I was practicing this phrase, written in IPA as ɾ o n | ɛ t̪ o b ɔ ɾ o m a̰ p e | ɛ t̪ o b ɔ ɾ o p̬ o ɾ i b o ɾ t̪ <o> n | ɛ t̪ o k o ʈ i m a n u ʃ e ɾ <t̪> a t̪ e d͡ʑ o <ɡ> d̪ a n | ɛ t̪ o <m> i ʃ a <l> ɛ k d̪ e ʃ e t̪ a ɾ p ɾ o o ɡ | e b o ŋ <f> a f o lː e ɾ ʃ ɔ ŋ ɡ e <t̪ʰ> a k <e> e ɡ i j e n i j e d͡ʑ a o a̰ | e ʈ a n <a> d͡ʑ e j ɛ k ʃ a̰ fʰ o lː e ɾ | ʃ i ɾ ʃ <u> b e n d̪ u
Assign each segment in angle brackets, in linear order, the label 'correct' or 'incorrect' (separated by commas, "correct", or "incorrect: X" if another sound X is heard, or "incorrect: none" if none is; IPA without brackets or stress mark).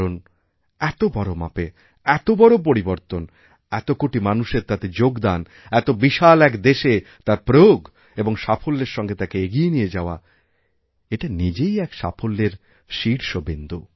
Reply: correct, correct, correct, incorrect: b, correct, incorrect: ʃ, incorrect: t̪, correct, incorrect: i, incorrect: o